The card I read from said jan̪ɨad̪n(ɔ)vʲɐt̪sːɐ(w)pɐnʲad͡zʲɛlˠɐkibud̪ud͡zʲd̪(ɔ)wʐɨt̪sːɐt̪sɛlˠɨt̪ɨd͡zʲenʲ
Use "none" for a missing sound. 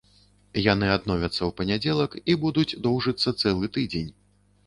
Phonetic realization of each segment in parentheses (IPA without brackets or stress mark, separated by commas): ɔ, w, ɔ